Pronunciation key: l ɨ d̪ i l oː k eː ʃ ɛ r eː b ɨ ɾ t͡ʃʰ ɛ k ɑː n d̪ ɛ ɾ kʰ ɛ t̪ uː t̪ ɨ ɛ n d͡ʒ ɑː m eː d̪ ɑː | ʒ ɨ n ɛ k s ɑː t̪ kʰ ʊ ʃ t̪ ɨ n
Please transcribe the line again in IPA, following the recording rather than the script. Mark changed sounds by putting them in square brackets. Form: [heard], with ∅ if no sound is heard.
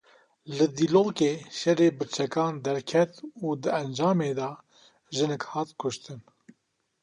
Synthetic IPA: l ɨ d̪ i l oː k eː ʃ ɛ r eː b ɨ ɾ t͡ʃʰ ɛ k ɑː n d̪ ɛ ɾ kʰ ɛ t̪ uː [d̪] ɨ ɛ n d͡ʒ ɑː m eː d̪ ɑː | ʒ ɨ n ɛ k [h] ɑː t̪ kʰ ʊ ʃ t̪ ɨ n